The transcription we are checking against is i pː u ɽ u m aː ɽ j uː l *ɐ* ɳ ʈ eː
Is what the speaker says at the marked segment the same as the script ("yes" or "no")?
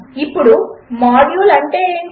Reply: yes